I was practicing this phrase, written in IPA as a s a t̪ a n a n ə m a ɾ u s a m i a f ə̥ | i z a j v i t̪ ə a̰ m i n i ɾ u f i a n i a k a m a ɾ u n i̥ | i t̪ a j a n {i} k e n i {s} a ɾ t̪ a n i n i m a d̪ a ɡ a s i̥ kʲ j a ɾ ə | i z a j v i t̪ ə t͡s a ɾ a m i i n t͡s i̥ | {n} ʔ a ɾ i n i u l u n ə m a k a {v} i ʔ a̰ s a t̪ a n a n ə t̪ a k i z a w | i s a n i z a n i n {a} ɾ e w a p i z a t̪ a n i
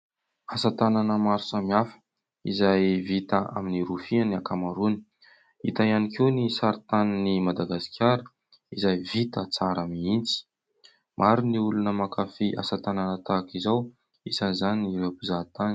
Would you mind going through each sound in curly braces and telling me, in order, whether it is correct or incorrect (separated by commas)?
correct, correct, incorrect, incorrect, incorrect